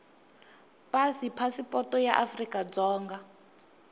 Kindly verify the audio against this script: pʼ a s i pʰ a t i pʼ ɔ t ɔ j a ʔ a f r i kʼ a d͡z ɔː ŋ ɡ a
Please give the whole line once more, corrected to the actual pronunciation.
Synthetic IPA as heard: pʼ a s i pʰ a s i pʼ ɔ t ɔ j a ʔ a f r i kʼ a d͡z ɔː ŋ ɡ a